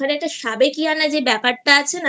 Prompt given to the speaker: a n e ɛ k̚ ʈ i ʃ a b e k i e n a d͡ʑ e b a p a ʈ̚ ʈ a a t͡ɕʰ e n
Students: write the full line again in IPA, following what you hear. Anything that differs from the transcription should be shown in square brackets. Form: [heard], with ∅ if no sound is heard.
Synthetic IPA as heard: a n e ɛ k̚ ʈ [a] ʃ a b e k i [a] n a d͡ʑ e b [ɛ] p a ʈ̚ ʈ a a t͡ɕʰ e n